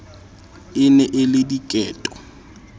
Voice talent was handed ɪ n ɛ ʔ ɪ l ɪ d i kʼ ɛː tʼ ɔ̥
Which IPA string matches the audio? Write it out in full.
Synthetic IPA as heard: ɪ n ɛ ʔ ɪ l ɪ d i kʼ ɛː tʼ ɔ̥